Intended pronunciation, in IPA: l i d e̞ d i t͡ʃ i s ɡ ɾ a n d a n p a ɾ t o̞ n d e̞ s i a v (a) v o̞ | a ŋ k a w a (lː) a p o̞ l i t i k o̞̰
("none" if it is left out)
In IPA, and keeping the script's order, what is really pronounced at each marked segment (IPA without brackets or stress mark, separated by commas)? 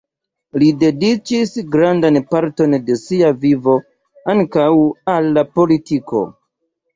i, lː